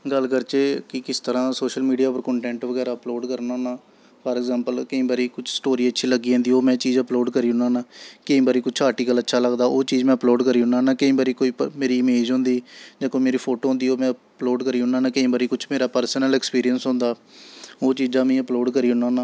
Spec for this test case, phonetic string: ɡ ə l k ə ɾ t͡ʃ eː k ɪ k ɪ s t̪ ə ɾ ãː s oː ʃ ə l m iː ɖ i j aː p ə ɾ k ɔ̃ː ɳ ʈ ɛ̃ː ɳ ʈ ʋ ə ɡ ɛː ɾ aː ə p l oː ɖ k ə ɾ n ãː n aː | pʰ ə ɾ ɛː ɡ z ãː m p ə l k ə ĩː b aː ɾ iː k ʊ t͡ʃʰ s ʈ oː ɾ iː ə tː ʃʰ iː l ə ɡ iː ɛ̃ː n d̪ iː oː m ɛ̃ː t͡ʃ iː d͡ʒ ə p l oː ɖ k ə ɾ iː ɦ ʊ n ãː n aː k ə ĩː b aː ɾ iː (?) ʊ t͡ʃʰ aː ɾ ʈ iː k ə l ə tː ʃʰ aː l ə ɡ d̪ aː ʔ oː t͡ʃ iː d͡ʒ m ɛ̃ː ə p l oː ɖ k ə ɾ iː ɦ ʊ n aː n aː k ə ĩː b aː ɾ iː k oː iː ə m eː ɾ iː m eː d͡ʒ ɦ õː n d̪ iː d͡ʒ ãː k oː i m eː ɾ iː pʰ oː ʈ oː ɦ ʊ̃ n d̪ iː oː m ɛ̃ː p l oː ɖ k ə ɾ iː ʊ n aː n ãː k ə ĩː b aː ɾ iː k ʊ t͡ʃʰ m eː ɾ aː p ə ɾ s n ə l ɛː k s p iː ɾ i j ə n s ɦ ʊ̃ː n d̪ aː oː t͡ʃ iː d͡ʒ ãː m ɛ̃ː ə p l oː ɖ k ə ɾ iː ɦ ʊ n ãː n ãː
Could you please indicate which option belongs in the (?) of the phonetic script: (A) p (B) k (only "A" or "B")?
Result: B